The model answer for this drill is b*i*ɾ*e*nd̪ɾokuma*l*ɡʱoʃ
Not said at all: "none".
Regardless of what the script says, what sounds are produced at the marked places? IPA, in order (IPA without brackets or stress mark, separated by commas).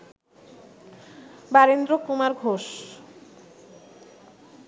a, e, ɾ